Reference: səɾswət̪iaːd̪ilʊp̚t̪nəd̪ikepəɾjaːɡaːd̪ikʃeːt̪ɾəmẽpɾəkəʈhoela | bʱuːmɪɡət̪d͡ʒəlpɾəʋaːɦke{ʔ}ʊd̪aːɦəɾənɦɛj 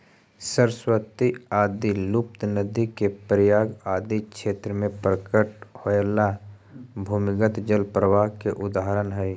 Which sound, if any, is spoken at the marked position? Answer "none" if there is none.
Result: ʔ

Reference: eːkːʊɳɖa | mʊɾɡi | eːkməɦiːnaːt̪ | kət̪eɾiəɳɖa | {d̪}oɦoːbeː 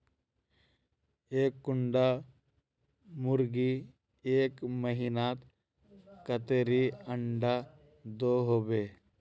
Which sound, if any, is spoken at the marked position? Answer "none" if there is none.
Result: d̪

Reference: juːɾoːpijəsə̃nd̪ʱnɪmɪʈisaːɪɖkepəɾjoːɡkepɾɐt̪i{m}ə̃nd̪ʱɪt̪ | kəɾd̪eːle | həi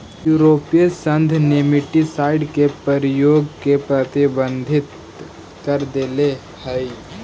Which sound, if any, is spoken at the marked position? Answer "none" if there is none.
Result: b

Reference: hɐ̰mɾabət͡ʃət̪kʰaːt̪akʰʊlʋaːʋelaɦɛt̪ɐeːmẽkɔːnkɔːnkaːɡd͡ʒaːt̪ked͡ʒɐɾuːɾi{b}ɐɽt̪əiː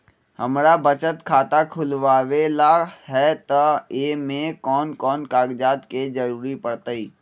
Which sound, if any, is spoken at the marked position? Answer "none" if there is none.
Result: p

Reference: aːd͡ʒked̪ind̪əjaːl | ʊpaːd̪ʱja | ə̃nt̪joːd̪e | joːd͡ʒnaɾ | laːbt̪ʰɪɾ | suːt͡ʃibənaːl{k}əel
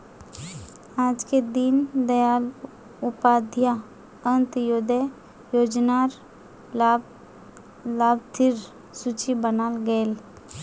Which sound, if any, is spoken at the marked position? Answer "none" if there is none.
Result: ɡ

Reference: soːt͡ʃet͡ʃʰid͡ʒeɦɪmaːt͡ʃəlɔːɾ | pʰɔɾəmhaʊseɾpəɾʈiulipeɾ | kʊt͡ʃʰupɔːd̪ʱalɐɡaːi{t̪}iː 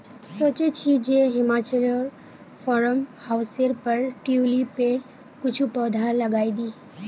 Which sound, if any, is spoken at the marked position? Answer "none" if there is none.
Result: d̪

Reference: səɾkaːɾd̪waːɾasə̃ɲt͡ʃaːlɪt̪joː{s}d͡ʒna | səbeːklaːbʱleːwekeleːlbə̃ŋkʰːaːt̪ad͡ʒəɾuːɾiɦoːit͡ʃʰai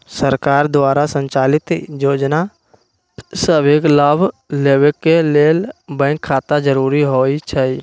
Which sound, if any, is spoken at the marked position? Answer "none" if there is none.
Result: none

